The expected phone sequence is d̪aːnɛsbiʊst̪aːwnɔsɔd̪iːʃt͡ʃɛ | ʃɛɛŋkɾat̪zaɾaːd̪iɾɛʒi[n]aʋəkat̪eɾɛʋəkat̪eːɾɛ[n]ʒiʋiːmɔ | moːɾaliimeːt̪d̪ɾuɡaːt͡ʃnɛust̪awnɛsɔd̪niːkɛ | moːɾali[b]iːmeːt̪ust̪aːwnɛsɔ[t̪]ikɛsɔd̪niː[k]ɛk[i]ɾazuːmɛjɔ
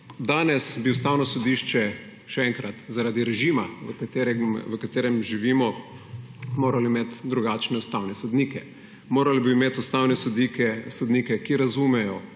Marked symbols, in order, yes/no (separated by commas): no, no, yes, no, yes, yes